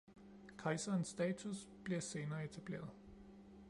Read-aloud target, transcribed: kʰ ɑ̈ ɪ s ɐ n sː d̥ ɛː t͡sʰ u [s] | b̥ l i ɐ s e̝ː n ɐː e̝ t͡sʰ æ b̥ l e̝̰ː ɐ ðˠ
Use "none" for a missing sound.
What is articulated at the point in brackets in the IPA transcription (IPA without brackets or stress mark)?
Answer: s